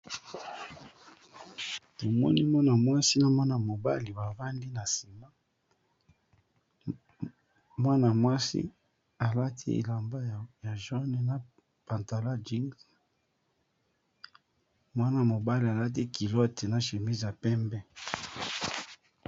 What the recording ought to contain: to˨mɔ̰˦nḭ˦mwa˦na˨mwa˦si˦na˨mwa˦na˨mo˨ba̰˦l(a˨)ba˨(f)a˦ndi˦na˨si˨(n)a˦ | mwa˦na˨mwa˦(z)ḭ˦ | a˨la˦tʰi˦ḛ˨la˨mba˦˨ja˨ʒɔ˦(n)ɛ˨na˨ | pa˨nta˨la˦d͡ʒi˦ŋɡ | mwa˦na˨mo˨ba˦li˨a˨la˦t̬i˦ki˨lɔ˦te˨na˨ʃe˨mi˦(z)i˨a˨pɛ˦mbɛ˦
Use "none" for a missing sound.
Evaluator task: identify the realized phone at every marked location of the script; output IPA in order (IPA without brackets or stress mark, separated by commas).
i˨, v, m, s, n, z